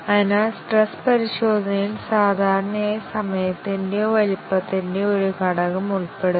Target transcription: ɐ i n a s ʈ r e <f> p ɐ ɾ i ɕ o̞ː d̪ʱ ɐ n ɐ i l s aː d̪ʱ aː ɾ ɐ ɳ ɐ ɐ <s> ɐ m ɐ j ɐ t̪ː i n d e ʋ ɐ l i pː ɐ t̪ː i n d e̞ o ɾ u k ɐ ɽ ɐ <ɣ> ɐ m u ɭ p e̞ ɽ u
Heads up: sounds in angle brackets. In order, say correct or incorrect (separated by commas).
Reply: incorrect, correct, correct